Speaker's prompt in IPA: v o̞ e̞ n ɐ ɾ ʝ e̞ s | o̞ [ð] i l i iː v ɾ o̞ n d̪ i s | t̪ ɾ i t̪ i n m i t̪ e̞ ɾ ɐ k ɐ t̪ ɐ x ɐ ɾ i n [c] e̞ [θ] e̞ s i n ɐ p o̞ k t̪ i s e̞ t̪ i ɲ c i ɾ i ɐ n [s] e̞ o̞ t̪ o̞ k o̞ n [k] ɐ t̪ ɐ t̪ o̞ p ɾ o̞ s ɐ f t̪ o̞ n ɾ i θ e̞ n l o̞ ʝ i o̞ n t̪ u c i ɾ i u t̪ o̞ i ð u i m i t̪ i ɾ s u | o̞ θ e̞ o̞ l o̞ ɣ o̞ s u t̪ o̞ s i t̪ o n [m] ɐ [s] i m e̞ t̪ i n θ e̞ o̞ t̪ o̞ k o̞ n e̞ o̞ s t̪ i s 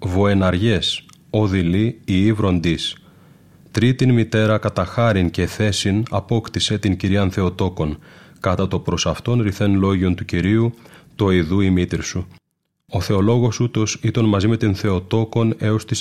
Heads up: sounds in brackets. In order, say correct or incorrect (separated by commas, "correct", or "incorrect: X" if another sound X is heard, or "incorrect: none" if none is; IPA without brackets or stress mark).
correct, correct, correct, incorrect: θ, correct, correct, incorrect: z